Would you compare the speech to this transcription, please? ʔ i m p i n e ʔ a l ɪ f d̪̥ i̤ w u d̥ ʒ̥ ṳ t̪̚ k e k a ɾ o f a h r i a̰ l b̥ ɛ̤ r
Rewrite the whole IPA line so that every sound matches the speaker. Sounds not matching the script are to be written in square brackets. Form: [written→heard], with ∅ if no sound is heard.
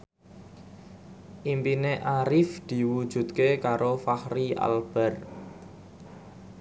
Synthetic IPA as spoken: ʔ i m p i n e ʔ a [l→ɾ] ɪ f d̪̥ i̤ w u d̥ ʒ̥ ṳ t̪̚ k e k a ɾ o f a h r i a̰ l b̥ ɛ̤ r